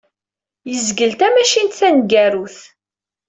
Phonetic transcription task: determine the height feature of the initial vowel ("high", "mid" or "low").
mid